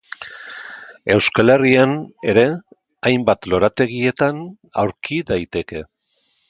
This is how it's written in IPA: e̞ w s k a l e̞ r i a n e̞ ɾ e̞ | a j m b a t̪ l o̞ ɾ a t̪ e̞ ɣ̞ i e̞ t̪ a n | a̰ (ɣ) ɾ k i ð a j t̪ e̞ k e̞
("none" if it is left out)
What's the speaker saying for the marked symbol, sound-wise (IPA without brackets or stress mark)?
w